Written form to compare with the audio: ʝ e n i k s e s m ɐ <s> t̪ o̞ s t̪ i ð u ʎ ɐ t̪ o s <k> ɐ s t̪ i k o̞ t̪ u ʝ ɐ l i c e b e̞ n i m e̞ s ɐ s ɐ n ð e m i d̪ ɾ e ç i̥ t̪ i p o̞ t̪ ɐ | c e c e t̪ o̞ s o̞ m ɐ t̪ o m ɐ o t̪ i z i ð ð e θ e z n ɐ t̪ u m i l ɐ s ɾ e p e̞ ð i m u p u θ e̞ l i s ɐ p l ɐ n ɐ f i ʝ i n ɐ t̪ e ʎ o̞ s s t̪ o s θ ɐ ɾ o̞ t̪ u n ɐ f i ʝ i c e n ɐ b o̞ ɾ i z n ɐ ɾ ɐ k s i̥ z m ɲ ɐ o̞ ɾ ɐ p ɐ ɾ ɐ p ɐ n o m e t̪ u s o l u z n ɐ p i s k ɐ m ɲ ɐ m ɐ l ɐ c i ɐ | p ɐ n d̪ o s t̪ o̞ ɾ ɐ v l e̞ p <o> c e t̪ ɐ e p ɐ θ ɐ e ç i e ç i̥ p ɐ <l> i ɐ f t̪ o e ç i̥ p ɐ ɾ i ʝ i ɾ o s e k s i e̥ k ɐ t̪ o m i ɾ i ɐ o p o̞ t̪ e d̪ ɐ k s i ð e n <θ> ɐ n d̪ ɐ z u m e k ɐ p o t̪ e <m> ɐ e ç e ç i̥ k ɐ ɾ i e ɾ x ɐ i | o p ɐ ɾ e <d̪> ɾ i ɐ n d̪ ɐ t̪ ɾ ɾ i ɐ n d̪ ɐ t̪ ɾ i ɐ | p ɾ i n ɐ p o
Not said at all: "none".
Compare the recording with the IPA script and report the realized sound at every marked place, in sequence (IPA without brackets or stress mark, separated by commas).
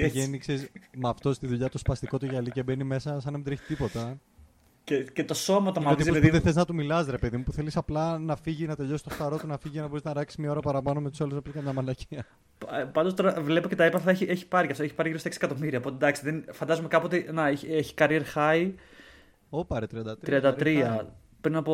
f, p, o, ɾ, f, n, t̪